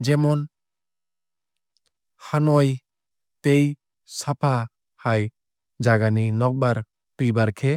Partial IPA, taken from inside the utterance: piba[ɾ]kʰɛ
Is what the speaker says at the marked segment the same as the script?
yes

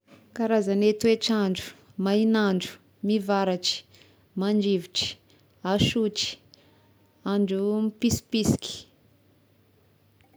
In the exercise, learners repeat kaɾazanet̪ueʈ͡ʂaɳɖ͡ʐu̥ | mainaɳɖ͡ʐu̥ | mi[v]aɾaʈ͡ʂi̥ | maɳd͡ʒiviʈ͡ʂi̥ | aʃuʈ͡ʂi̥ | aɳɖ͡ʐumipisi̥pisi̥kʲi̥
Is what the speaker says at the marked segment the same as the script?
yes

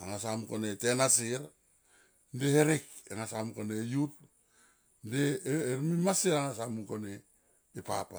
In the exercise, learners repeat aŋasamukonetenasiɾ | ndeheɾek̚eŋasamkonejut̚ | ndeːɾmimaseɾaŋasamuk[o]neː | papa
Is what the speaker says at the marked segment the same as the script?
yes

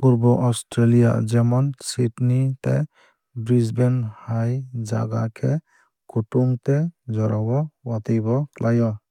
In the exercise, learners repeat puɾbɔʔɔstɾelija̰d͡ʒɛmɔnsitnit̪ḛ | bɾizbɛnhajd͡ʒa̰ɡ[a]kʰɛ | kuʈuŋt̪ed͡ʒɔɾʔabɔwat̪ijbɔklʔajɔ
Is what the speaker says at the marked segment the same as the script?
yes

